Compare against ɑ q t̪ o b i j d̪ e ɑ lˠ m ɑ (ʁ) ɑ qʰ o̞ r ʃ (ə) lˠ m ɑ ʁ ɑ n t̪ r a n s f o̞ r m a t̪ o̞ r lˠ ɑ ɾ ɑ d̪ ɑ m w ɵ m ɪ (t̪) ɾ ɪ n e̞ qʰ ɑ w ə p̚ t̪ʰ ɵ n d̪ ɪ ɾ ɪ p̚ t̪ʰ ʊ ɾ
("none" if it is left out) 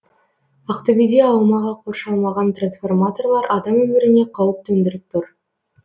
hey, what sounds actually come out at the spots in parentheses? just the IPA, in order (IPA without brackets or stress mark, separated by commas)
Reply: ʁ, ɑ, none